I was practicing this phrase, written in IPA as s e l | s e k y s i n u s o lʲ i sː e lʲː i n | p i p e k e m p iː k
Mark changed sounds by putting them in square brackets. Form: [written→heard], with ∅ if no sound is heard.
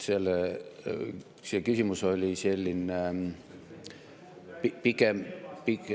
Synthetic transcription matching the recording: s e l | s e k y s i [n→m] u s o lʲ i [sː→s] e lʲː i n | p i p [e→i] k e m p [iː→i] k